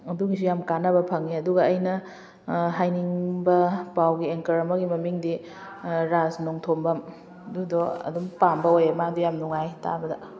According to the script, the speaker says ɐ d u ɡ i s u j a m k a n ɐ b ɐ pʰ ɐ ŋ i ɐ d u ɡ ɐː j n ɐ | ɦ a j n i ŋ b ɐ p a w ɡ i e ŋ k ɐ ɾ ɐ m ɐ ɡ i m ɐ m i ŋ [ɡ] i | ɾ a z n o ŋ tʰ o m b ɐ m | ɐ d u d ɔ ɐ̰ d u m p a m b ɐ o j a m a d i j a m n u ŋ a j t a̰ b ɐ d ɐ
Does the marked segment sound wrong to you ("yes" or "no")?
yes